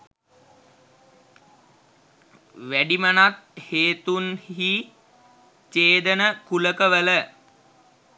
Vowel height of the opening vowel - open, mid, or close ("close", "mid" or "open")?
open